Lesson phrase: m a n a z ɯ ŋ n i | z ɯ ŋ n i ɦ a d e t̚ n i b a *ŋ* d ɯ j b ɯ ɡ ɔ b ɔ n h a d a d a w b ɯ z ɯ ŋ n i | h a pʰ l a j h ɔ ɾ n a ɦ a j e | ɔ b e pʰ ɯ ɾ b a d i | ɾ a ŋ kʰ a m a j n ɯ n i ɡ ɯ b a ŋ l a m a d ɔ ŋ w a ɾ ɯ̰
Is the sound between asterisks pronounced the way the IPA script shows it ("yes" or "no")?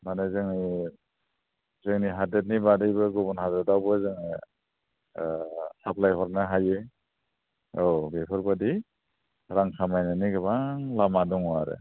no